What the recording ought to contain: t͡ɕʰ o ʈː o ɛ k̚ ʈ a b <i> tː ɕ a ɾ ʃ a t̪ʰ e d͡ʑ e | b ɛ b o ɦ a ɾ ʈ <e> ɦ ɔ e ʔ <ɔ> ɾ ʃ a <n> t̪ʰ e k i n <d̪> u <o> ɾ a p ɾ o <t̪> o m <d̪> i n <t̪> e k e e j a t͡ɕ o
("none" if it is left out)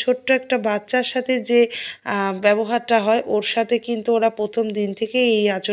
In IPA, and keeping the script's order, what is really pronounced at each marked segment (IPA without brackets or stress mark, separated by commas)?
a, a, o, none, t̪, o, t̪ʰ, d̪, t̪ʰ